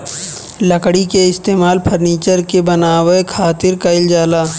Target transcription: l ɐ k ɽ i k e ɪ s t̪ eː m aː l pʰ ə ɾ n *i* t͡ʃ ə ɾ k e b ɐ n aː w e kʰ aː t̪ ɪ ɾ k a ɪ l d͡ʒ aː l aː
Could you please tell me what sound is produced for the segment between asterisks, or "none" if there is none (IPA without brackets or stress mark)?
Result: iː